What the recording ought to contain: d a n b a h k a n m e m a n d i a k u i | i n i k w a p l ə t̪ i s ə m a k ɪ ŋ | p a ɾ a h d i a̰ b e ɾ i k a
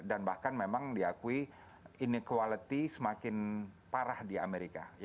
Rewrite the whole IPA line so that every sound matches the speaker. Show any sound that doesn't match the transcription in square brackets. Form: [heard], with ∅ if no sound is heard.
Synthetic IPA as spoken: d a n b a h k a n m e m a [ŋ] d i a k u i | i n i k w a [∅] l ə t̪ i s ə m a k ɪ [n] | p a ɾ a h d i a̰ [m] e ɾ i k a